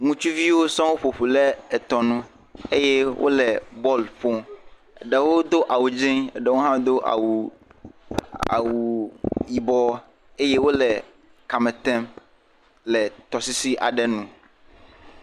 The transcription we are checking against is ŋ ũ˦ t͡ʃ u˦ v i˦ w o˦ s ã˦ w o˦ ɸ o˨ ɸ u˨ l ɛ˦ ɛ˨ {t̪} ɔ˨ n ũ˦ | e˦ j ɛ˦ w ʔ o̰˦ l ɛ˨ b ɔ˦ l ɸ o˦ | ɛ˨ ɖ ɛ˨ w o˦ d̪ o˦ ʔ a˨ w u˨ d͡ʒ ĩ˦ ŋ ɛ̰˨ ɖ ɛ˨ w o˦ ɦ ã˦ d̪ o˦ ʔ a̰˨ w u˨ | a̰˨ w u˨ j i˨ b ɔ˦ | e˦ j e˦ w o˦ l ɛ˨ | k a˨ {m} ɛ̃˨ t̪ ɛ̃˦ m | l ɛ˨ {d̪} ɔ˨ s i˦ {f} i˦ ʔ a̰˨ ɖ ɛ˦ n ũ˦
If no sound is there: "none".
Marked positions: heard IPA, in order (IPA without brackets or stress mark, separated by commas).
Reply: t̪, m, t̪, s